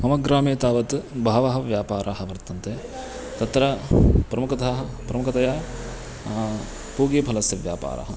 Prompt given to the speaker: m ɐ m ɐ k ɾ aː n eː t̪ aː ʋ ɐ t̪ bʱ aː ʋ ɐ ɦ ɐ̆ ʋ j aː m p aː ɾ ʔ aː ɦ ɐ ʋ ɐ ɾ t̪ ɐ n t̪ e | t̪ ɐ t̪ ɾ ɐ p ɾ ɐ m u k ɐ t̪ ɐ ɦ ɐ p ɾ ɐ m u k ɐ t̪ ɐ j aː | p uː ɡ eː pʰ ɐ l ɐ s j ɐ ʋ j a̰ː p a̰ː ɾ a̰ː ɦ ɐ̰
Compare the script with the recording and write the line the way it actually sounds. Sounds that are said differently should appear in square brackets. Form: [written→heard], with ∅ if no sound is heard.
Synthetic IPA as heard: m ɐ m ɐ [k→ɡ] ɾ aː [n→m] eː t̪ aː ʋ ɐ t̪ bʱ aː ʋ ɐ ɦ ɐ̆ ʋ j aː [m→∅] p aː ɾ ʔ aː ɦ ɐ ʋ ɐ ɾ t̪ ɐ n t̪ e | t̪ ɐ t̪ ɾ ɐ p ɾ ɐ m u k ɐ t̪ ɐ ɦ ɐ p ɾ ɐ m u k ɐ t̪ ɐ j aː | p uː ɡ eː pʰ ɐ l ɐ s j ɐ ʋ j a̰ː p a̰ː ɾ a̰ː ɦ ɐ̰